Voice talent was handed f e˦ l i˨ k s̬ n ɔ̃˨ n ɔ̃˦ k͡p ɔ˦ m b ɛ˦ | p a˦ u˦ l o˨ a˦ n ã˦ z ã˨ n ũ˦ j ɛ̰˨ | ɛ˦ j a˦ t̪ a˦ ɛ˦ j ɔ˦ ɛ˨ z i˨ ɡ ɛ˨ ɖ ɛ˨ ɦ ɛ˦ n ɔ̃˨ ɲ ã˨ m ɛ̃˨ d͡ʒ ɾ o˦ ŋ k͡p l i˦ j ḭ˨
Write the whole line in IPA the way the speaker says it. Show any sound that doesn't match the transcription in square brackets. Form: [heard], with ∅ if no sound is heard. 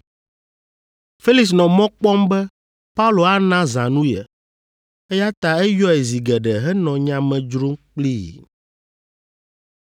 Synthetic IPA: f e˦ l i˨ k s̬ n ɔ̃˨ [m] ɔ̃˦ k͡p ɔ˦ m b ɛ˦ | p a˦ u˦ l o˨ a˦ n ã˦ z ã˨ n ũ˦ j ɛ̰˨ | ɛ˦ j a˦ t̪ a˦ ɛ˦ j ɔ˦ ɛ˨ z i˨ ɡ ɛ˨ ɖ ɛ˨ ɦ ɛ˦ n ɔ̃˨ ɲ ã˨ m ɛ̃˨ d͡ʒ ɾ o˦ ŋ k͡p l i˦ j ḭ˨